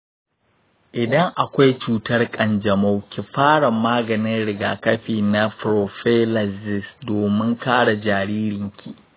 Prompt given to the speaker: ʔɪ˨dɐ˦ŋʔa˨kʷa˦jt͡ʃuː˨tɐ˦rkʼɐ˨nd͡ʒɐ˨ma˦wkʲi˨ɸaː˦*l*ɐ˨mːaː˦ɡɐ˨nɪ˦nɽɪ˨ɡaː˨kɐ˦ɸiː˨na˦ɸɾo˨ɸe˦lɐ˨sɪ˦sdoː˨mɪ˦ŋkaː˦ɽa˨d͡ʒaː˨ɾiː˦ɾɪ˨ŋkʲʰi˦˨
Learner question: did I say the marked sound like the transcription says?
no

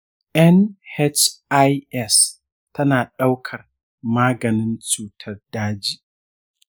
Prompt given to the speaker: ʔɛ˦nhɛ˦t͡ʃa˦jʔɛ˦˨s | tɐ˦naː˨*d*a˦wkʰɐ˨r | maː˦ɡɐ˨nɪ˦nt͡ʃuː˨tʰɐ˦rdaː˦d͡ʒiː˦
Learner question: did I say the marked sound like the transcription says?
no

